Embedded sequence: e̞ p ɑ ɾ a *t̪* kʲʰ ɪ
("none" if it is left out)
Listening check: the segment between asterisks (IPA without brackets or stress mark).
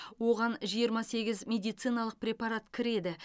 t̪